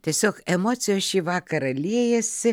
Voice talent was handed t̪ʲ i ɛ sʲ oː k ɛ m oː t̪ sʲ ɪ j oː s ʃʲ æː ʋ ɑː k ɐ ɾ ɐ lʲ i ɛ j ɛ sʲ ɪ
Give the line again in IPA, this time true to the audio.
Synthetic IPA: t̪ʲ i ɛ sʲ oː k ɛ m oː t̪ sʲ ɪ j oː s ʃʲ iː ʋ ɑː k ɐ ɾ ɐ lʲ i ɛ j ɛ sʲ ɪ